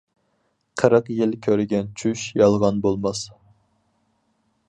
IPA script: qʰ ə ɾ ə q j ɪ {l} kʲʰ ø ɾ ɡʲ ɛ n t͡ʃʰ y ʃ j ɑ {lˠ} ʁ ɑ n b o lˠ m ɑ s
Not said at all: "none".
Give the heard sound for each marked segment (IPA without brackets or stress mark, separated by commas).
l, lˠ